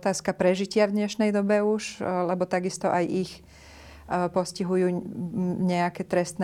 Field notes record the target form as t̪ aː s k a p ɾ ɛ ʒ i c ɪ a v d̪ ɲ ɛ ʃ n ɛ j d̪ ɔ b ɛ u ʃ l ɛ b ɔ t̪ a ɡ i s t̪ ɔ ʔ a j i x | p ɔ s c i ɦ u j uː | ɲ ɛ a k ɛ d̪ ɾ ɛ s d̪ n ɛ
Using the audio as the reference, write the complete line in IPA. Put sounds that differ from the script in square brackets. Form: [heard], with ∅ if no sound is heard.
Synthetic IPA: t̪ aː s k a p ɾ ɛ ʒ i c ɪ a v d̪ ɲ ɛ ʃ n ɛ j d̪ ɔ b ɛ u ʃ l ɛ b ɔ t̪ a ɡ i s t̪ ɔ ʔ a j i x | p ɔ s c i ɦ u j uː | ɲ ɛ a k ɛ [t̪] ɾ ɛ s [t̪] n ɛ